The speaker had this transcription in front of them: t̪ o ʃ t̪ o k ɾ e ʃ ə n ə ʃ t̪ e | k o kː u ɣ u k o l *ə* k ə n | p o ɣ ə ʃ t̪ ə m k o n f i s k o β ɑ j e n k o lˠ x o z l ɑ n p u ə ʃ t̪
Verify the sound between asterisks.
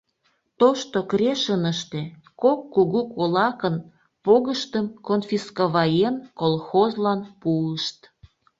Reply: incorrect: ɑ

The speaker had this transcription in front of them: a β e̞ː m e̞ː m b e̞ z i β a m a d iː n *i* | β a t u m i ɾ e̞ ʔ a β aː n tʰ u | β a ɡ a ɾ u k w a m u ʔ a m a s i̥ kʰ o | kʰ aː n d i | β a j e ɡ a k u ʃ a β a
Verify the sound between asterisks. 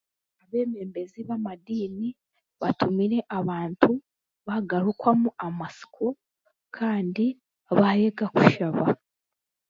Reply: correct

